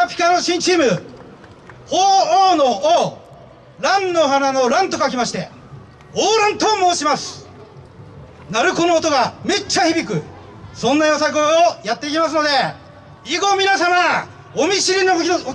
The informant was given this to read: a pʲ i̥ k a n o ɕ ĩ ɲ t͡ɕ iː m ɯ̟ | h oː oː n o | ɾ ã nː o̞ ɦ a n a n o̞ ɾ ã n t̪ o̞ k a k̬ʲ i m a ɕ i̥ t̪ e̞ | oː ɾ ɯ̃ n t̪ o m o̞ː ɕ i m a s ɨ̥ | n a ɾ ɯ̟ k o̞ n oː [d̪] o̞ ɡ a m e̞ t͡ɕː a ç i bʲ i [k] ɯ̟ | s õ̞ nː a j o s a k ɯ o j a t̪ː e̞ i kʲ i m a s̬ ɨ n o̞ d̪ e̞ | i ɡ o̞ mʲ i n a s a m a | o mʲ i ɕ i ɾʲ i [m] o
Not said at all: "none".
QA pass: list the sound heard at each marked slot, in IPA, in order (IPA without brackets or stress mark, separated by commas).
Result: t̪, k, n